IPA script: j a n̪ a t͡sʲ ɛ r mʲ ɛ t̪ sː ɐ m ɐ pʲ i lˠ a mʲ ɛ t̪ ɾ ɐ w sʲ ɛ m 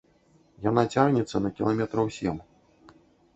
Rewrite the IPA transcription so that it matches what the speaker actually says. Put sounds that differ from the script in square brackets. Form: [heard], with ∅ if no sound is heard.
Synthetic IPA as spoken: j a n̪ a t͡sʲ [a] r [nʲ] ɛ t̪ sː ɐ [n] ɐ [kʲ] i lˠ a mʲ ɛ t̪ ɾ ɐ w sʲ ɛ m